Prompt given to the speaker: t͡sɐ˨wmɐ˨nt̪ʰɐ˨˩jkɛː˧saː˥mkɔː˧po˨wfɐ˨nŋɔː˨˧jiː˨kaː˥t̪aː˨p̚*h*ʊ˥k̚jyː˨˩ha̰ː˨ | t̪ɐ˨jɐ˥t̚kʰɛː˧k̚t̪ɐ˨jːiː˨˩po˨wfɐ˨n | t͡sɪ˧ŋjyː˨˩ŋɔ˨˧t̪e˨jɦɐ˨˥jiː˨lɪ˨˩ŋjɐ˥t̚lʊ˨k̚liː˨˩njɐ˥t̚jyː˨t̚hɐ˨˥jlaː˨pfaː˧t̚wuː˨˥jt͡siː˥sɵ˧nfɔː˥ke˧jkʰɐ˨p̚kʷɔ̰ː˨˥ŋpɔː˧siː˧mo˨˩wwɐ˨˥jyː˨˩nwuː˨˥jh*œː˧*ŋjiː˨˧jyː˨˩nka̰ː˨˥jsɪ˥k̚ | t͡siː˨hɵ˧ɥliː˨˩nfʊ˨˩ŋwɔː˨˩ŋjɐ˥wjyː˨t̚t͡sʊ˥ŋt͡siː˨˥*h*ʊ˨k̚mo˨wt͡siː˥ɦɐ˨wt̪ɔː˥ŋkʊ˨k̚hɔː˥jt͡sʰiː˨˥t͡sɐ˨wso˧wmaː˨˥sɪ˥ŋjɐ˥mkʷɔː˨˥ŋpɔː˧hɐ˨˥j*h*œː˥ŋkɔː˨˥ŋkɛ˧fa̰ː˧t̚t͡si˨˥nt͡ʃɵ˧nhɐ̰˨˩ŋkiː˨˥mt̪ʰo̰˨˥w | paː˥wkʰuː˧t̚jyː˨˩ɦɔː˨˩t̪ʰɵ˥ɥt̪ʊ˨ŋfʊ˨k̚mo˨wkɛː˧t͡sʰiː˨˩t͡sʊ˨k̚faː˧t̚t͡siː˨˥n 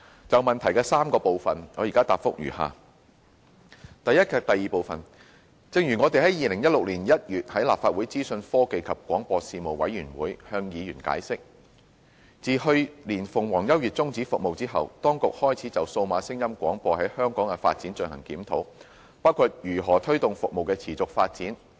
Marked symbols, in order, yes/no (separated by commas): no, yes, no, yes